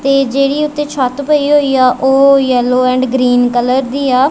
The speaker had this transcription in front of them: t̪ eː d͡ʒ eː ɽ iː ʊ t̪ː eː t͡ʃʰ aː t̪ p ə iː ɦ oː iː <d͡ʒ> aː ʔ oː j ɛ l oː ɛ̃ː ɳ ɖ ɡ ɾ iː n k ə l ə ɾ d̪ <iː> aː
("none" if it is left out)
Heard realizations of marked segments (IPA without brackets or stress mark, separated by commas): none, iː